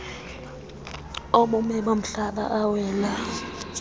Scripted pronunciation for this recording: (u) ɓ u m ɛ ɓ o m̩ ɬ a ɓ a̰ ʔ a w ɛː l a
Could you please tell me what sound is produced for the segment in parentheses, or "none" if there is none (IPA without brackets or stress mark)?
o